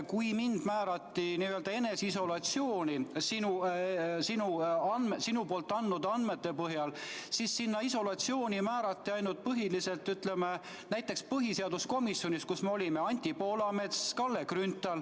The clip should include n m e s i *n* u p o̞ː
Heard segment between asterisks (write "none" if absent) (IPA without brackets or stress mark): n